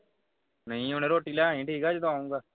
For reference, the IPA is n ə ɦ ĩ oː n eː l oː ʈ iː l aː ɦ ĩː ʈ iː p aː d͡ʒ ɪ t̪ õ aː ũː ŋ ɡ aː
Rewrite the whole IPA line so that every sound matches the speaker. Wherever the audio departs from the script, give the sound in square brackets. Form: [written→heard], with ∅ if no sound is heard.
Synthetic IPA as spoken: n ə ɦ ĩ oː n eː [l→ɾ] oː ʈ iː l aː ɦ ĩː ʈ iː [p→k] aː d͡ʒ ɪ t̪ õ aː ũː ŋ ɡ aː